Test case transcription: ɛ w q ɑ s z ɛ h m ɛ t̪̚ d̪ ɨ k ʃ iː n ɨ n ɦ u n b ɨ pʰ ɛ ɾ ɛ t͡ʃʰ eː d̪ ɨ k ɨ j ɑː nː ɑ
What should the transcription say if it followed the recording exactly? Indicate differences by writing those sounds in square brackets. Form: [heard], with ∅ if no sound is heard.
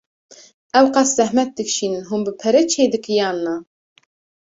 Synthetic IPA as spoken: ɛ w q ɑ s z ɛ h m ɛ t̪̚ d̪ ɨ k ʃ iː n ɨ n ɦ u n b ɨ pʰ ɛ ɾ ɛ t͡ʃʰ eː d̪ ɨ k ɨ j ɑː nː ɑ

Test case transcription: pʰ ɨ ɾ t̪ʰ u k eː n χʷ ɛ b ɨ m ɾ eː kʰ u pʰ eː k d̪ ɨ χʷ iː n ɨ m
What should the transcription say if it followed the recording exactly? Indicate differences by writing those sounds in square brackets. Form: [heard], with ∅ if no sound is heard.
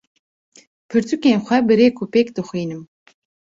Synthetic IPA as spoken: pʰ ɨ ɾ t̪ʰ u k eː n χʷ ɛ b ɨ [∅] ɾ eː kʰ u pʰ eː k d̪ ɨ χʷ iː n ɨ m

